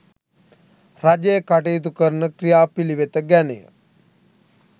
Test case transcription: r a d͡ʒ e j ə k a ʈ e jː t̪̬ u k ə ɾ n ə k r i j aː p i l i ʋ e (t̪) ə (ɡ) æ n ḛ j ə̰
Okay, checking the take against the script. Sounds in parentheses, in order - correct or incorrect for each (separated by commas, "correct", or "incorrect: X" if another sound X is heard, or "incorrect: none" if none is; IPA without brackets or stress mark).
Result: correct, correct